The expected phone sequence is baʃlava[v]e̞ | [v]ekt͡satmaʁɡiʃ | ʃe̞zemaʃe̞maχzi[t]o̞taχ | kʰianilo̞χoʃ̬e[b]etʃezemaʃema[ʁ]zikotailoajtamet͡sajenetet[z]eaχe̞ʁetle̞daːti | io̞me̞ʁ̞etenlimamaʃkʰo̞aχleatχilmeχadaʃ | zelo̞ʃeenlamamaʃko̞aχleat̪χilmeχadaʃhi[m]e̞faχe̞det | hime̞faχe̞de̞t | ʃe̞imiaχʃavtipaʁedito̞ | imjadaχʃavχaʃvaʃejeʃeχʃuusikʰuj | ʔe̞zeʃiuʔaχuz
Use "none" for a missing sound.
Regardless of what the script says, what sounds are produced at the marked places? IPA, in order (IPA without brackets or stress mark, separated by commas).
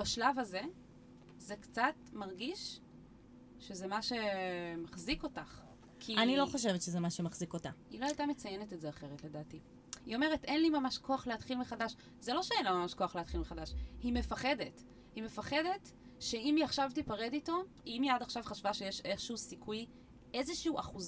z, z, k, v, χ, z, m